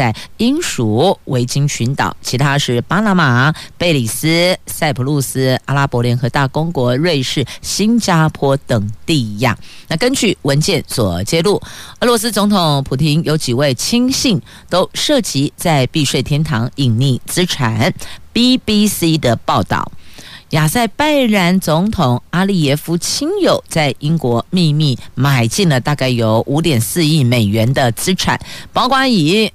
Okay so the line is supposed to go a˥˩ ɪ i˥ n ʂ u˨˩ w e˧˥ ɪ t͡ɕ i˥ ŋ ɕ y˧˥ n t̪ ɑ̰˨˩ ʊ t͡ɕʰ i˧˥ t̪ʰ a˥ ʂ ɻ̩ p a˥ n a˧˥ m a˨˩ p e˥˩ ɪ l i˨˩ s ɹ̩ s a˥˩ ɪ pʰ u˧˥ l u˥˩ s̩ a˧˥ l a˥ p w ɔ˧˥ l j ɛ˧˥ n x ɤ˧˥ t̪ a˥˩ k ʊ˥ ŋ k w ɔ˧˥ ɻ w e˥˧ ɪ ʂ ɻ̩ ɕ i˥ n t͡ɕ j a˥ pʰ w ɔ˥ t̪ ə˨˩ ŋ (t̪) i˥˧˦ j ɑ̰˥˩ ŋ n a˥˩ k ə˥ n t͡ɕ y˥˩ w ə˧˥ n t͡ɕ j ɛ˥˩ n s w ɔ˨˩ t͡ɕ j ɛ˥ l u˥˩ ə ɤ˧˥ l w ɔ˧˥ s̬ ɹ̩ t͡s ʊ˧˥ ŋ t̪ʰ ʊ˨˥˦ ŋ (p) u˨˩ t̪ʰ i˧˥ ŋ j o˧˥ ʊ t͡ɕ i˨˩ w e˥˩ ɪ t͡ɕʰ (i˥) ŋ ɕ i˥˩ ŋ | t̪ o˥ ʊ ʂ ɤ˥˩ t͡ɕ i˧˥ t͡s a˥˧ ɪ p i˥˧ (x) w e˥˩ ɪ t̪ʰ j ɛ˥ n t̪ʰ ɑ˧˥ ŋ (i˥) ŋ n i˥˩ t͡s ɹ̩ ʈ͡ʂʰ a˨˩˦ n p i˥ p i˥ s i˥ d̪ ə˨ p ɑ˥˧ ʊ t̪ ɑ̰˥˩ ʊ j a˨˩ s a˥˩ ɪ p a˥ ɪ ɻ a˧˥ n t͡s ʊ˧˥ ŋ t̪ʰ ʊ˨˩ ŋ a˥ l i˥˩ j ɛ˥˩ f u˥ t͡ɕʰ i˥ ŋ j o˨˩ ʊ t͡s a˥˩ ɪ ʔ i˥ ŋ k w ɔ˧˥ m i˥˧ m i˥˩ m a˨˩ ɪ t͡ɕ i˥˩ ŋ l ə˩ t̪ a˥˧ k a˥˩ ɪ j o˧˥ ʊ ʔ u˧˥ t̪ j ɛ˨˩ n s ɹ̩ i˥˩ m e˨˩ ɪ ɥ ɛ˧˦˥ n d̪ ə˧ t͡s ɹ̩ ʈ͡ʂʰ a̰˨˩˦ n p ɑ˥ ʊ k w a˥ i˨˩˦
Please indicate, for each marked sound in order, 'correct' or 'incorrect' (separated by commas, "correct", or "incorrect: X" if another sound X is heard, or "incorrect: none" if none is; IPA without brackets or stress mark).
correct, incorrect: pʰ, correct, incorrect: ʂ, incorrect: i˨˩